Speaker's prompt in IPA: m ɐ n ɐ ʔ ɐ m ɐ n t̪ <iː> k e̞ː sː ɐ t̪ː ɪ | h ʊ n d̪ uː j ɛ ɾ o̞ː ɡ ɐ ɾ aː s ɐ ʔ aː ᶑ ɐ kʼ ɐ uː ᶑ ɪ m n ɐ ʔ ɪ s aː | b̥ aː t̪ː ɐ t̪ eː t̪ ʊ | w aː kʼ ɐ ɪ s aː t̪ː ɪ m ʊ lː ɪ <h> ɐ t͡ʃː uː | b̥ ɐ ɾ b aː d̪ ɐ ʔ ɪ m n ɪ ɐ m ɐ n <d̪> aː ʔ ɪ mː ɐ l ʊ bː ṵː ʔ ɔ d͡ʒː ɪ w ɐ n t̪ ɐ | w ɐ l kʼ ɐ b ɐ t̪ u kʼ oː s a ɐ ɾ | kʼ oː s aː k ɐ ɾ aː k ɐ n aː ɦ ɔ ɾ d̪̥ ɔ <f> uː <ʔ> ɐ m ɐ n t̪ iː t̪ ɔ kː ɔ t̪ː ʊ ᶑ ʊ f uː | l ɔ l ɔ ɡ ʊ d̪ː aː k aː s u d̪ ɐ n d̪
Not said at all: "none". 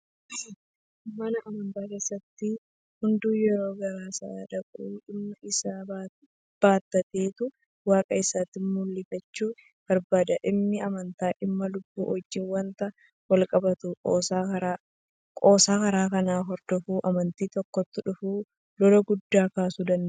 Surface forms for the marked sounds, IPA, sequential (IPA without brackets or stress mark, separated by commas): aː, f, t̪, f, ʔ